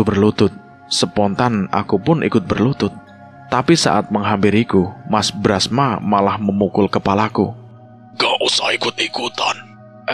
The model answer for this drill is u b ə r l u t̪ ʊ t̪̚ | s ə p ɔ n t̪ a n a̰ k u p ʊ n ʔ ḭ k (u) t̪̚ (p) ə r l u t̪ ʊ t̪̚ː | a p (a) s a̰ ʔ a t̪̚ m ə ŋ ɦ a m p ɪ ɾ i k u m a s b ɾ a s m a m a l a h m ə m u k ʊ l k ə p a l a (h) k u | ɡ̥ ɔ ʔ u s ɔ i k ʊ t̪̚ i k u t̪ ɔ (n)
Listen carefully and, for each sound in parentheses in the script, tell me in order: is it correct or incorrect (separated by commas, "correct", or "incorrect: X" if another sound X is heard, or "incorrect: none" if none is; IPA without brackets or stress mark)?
incorrect: ʊ, incorrect: b, incorrect: i, incorrect: none, correct